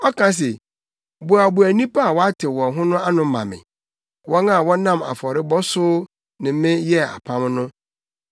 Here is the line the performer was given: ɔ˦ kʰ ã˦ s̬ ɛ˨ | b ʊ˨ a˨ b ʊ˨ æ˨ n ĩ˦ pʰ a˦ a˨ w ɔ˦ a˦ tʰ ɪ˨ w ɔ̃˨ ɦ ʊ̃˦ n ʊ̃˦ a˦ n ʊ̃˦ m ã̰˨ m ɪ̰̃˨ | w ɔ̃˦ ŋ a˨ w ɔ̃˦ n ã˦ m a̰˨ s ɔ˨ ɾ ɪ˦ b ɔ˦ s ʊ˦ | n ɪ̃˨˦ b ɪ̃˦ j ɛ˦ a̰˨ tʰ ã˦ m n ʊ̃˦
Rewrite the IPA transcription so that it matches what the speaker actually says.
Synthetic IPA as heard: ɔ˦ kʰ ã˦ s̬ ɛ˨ | b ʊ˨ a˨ b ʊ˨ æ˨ n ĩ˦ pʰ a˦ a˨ w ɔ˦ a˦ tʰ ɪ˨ w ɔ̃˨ ɦ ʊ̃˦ n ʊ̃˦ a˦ n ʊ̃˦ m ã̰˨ m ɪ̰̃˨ | w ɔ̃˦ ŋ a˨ w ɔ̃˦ n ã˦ m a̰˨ f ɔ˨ ɾ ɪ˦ b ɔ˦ s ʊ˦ | n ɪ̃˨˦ m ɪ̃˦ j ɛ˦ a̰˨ pʰ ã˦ m n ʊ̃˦